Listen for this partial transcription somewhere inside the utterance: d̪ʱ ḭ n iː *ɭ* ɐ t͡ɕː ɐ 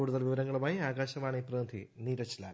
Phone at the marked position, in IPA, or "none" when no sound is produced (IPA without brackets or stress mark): ɾ